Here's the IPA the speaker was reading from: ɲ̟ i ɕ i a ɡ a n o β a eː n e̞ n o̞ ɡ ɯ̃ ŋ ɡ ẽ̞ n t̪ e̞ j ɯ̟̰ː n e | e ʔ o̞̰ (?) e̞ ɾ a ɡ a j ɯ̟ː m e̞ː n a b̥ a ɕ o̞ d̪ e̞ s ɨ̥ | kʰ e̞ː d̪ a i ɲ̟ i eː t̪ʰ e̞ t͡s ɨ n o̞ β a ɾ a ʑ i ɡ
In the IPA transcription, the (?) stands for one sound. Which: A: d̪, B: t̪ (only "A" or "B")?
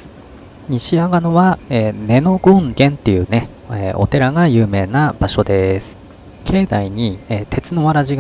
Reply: B